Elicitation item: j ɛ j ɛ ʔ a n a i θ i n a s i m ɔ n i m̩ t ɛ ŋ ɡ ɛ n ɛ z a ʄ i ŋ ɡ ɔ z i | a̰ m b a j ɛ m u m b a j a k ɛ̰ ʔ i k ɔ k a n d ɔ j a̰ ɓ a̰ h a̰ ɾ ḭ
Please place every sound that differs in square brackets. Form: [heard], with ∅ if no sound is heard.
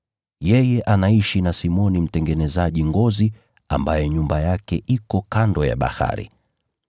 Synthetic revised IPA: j ɛ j ɛ ʔ a n a i [ʃ] i n a s i m ɔ n i m̩ t ɛ ŋ ɡ ɛ n ɛ z a ʄ i ŋ ɡ ɔ z i | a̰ m b a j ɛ [ɲ] u m b a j a k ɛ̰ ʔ i k ɔ k a n d ɔ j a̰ ɓ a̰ h a̰ ɾ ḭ